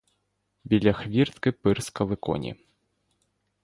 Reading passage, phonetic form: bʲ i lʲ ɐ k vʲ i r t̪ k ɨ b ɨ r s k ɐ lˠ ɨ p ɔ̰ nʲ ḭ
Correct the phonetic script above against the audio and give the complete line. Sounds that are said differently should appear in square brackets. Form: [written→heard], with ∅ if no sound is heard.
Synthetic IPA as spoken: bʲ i lʲ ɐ [k→x] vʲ i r t̪ k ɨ [b→p] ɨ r s k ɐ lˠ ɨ [p→k] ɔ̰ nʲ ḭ